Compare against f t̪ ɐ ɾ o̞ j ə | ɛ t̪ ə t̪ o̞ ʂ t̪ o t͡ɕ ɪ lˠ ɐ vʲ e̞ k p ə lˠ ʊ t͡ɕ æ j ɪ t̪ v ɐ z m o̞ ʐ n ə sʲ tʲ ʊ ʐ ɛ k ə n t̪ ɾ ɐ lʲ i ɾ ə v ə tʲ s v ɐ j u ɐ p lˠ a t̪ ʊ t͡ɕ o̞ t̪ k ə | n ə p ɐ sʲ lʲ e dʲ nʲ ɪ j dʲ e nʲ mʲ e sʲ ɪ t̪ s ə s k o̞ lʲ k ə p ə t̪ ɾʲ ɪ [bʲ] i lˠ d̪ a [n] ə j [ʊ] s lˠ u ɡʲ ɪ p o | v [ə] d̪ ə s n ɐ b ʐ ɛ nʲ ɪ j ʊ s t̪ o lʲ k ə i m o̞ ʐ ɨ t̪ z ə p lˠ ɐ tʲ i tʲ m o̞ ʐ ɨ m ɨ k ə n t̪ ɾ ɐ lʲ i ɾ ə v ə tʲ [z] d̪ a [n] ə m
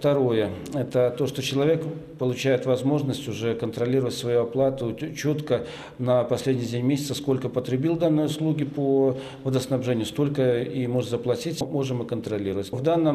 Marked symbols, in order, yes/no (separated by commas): yes, no, yes, yes, no, no